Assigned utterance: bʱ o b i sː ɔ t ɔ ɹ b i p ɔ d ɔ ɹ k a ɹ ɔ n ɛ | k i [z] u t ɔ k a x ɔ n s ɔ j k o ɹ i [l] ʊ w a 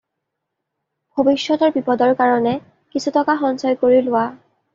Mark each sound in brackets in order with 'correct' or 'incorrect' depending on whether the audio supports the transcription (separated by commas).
incorrect, correct